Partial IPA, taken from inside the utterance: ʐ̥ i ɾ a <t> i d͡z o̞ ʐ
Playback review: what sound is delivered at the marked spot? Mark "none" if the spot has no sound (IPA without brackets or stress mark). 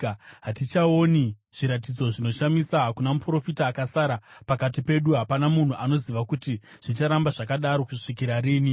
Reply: t